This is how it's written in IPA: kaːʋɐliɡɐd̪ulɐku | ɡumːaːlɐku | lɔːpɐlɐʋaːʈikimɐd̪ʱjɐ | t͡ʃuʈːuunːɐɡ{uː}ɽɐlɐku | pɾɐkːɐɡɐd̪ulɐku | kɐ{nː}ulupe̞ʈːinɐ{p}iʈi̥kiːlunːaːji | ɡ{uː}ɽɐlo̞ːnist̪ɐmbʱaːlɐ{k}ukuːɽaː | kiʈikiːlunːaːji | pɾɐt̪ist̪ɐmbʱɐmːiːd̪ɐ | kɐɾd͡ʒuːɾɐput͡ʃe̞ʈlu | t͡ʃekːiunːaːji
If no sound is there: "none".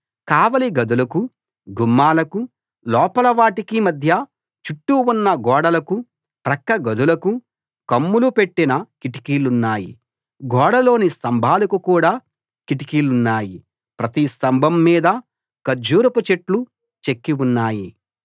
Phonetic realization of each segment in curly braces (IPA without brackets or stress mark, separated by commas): ɔː, mː, k, ɔː, k